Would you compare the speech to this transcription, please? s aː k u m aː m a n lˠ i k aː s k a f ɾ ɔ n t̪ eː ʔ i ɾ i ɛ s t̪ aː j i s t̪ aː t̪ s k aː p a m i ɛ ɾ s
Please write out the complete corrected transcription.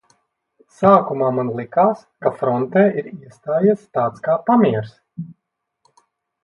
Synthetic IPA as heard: s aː k u m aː m a n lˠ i k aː s k a f ɾ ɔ n t̪ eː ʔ i ɾ i ɛ s t̪ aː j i s t̪ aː t̪ s k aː p a m i ɛ ɾ s